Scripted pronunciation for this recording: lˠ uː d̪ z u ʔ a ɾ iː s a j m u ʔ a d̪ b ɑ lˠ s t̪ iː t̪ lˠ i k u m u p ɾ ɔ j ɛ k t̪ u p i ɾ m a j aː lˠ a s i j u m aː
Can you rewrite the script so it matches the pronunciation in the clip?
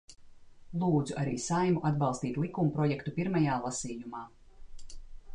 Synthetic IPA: lˠ uː d̪ z u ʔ a ɾ iː s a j m u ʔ a d̪ b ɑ lˠ s t̪ iː t̪ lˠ i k u m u p ɾ ɔ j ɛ k t̪ u p i ɾ m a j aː lˠ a s iː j u m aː